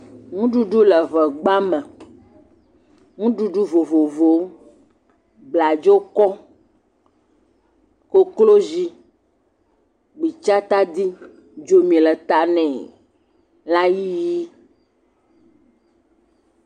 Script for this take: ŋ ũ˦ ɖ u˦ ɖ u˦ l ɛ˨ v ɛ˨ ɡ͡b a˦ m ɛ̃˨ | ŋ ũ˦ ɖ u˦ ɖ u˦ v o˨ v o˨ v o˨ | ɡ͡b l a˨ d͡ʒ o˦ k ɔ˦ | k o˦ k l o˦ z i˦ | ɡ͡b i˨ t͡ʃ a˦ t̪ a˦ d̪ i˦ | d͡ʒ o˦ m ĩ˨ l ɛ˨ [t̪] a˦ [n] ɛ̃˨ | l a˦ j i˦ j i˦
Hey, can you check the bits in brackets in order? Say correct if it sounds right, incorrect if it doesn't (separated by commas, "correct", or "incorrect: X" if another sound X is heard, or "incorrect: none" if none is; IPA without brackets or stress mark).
correct, correct